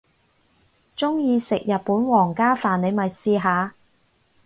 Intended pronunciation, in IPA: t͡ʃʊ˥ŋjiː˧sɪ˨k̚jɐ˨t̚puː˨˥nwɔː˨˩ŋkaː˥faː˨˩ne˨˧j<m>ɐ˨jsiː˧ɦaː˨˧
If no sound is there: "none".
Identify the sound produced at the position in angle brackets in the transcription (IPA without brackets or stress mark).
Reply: m